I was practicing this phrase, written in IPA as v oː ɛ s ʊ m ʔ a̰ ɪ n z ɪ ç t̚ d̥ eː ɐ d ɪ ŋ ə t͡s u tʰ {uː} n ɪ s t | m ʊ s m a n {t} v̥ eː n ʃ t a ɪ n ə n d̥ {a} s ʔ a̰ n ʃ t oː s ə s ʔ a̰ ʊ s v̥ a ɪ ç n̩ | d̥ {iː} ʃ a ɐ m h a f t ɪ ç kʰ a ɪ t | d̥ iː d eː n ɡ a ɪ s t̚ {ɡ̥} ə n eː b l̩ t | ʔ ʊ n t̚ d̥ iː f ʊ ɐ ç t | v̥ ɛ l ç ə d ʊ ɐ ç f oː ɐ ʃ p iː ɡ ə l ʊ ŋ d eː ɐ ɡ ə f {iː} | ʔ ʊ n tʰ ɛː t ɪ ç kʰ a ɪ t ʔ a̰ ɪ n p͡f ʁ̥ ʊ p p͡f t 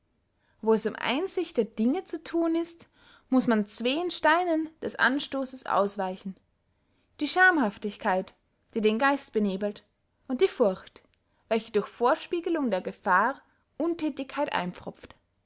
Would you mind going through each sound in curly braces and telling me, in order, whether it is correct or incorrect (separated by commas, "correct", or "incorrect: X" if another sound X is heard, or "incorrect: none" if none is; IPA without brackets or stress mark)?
correct, incorrect: t͡s, incorrect: ɛ, correct, incorrect: b̥, incorrect: aː